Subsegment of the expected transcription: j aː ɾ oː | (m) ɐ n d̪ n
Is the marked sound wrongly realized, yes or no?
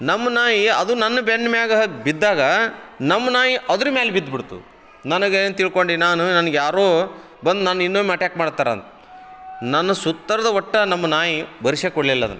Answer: yes